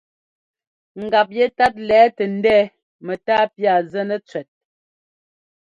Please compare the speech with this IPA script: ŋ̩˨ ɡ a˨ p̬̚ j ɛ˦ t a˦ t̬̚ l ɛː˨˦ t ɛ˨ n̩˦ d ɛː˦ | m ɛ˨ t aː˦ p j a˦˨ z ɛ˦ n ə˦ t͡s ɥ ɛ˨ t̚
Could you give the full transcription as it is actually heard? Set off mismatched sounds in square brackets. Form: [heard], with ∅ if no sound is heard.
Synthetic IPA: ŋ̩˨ ɡ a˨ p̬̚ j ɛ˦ t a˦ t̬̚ l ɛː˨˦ t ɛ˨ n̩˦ d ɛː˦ | m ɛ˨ t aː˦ p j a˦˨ z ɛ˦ n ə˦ t͡s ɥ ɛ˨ t̚